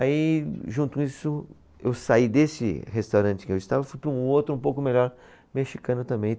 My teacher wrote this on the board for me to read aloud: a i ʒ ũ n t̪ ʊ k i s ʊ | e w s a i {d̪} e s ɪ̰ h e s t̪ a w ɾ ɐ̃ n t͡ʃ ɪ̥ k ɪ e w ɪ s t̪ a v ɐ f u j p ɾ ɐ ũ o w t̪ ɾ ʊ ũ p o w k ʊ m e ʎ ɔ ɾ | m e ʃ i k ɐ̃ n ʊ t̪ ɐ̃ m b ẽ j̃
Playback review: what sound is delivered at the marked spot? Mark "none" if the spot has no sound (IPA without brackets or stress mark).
d̪